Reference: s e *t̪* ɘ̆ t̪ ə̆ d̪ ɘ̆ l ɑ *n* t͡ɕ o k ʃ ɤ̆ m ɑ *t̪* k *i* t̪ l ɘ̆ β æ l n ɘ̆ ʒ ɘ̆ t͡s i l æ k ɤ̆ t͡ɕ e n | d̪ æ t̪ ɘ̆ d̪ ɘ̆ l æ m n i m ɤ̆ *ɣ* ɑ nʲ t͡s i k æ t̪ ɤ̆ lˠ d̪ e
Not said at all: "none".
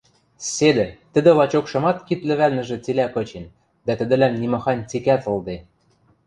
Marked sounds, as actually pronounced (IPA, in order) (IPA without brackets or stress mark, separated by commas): d̪, none, t̪, i, x